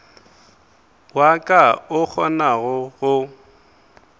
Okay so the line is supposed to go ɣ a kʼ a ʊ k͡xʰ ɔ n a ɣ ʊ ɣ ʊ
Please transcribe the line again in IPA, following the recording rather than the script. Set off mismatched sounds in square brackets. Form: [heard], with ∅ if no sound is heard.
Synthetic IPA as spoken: [w] a kʼ a ʊ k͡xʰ ɔ n a ɣ ʊ ɣ ʊ